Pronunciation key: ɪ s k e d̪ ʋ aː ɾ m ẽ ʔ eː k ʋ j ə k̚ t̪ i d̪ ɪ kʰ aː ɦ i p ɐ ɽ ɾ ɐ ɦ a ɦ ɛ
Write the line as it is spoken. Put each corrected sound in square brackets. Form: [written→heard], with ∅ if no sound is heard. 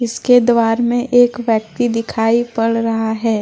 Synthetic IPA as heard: ɪ s k e d̪ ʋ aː ɾ m ẽ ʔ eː k ʋ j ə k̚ t̪ i d̪ ɪ kʰ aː [ɦ→∅] i p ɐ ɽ ɾ ɐ ɦ a ɦ [ɛ→ɛː]